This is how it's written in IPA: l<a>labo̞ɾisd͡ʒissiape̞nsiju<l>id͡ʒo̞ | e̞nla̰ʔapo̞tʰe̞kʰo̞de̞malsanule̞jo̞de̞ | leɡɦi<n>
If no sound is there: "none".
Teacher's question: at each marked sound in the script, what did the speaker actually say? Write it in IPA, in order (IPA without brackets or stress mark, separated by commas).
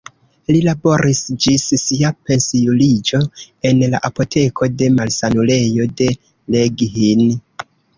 i, l, n